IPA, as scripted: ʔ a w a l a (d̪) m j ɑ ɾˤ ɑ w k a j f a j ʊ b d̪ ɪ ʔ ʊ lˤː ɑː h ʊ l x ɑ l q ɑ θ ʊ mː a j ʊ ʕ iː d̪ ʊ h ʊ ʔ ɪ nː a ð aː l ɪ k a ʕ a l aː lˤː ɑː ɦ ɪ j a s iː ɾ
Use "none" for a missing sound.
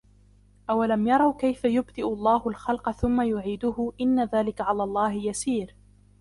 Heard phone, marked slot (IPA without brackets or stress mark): none